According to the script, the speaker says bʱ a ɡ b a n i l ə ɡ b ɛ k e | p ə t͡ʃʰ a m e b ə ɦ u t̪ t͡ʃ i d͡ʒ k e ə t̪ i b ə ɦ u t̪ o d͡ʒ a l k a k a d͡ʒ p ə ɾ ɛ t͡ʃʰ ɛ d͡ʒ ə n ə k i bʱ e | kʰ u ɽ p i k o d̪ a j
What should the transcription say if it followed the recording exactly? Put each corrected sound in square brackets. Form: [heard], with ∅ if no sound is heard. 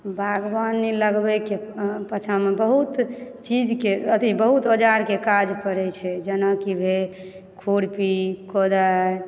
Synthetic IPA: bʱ a ɡ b a n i l ə ɡ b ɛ k e | p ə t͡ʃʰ a m e b ə ɦ u t̪ t͡ʃ i d͡ʒ k e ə t̪ i b ə ɦ u t̪ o d͡ʒ a [ɾ] k [e] k a d͡ʒ p ə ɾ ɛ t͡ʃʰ ɛ d͡ʒ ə n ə k i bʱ e | kʰ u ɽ p i k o d̪ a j